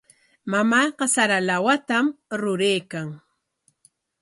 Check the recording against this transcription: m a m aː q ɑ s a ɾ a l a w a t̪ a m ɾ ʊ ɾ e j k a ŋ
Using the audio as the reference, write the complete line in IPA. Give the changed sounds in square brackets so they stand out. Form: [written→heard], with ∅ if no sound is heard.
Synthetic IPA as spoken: m a m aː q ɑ s a ɾ a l a w a t̪ a m ɾ ʊ ɾ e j k a ŋ